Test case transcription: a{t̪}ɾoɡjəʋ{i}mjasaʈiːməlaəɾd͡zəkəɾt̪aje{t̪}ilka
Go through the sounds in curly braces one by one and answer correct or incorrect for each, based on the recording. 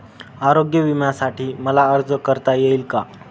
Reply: incorrect, correct, incorrect

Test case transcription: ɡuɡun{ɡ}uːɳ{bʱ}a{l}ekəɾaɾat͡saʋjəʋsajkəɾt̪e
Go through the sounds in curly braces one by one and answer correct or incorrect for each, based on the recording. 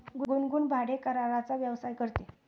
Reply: correct, correct, incorrect

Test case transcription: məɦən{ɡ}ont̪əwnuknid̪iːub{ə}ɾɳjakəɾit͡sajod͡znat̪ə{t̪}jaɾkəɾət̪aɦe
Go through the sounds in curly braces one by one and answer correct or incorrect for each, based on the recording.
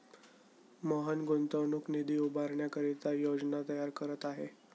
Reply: correct, incorrect, incorrect

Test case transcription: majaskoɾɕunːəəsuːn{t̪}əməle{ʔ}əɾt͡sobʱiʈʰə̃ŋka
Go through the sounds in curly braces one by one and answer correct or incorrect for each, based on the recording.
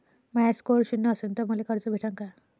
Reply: correct, incorrect

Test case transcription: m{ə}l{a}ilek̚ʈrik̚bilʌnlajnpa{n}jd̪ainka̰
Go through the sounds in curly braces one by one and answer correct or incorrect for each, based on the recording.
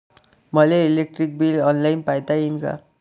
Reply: incorrect, incorrect, incorrect

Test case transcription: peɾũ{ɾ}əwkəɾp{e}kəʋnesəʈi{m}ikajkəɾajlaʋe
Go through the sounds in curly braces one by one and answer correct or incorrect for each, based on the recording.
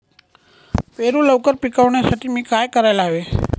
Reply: incorrect, incorrect, correct

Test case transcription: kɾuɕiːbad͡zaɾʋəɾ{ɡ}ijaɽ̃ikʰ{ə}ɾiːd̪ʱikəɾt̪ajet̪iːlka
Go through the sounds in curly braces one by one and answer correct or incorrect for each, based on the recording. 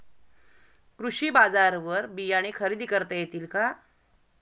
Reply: incorrect, correct

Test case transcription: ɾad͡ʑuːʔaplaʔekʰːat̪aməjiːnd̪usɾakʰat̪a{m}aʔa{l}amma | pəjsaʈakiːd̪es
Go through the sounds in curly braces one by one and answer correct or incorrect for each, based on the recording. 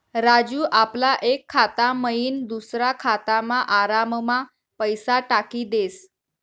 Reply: correct, incorrect

